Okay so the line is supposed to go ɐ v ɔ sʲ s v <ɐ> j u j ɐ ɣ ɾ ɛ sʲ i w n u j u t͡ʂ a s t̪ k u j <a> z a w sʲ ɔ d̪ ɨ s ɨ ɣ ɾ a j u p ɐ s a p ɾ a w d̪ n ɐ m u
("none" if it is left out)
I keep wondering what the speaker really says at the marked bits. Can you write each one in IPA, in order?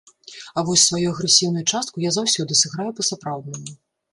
a, a

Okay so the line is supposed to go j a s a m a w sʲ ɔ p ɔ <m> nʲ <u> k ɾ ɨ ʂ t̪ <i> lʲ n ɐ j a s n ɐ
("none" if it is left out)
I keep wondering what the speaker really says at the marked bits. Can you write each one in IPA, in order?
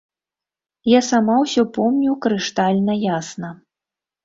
m, u, a

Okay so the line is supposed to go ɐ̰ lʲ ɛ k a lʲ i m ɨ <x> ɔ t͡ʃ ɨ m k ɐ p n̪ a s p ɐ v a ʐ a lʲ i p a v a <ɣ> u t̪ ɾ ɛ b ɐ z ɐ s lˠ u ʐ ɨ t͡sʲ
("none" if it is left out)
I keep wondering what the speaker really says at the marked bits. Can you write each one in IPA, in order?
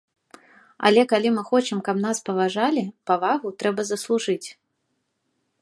x, ɣ

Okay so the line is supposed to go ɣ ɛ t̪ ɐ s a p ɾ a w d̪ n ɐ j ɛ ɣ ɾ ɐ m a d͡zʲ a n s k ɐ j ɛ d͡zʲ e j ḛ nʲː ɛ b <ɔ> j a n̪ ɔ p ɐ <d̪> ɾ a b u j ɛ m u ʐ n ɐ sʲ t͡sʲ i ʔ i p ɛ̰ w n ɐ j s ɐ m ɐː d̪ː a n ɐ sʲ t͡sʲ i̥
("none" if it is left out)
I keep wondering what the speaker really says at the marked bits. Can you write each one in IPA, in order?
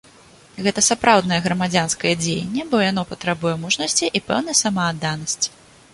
ɔ, t̪

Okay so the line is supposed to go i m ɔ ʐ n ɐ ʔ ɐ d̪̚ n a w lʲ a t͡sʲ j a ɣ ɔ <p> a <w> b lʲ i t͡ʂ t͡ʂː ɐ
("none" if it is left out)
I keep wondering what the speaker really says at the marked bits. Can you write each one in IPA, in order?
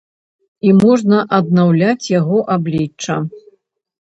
ʔ, none

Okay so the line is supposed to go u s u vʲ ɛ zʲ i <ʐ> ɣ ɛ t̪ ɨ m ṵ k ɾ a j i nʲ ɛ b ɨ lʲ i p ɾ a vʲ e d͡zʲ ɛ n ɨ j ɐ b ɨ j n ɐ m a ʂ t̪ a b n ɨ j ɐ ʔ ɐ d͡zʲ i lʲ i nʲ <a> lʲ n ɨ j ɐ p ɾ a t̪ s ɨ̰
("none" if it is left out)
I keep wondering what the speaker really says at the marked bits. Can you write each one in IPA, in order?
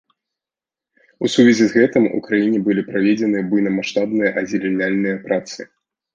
z, a

